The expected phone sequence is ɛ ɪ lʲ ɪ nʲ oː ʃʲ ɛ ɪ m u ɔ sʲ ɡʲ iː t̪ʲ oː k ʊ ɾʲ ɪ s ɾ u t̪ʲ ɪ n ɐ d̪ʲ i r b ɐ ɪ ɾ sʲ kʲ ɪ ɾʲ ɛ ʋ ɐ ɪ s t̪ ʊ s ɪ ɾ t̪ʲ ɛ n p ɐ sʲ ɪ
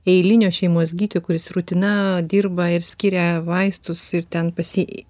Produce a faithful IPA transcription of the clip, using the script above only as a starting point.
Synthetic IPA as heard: ɛ ɪ lʲ ɪ nʲ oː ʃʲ ɛ ɪ m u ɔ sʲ ɡʲ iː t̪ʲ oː k ʊ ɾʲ ɪ s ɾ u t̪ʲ ɪ n ɐ d̪ʲ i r b ɐ ɪ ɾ sʲ kʲ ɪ ɾʲ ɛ ʋ ɐ ɪ s t̪ ʊ s ɪ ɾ t̪ʲ ɛ n p ɐ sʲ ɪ